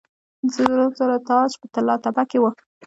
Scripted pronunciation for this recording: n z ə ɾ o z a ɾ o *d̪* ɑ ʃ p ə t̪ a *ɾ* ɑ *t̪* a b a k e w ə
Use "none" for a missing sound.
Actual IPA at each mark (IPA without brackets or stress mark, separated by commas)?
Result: t̪, l, t̪